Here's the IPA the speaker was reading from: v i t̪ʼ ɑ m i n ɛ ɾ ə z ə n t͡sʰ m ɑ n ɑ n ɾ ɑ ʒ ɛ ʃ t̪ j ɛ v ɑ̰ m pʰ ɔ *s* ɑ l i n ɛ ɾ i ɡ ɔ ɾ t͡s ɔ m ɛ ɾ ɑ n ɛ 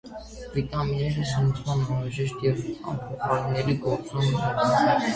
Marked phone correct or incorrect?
incorrect: χ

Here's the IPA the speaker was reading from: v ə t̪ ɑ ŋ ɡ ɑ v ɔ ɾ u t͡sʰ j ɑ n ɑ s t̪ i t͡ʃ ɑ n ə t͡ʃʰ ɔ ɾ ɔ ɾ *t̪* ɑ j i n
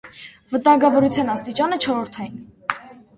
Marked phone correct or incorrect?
incorrect: t̪ʰ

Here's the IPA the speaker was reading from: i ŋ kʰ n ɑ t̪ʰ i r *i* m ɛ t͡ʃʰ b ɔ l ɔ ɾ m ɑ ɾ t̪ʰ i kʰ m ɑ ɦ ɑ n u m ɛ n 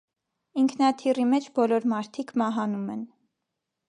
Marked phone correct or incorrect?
correct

